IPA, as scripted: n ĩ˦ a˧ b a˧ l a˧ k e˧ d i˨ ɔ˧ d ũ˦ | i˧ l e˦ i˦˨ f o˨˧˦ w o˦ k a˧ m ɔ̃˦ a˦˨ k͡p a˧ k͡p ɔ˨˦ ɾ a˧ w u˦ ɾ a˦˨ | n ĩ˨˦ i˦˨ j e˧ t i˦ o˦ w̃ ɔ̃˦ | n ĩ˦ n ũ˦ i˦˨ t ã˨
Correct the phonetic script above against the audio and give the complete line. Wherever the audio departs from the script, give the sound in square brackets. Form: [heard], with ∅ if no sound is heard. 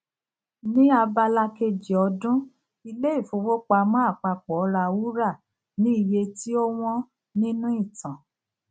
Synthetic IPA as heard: n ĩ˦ a˧ b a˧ l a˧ k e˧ [d͡ʒ] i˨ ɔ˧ d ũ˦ | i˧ l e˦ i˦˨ f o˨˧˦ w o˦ [k͡p] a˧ m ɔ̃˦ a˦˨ k͡p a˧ k͡p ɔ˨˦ ɾ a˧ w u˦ ɾ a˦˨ | n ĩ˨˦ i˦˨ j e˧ t i˦ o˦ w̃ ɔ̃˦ | n ĩ˦ n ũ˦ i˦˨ t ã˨